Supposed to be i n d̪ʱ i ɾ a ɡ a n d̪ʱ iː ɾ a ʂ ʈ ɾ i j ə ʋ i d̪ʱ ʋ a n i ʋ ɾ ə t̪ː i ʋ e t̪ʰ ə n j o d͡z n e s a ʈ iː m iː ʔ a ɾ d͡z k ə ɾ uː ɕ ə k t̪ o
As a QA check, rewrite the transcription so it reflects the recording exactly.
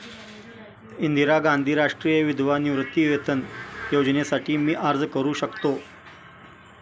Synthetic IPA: i n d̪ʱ i ɾ a ɡ a n d̪ʱ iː ɾ a ʂ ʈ ɾ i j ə ʋ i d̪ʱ ʋ a n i ʋ ɾ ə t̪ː i ʋ e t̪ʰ ə n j o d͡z n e s a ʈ iː m iː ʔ a ɾ d͡z k ə ɾ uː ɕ ə k t̪ o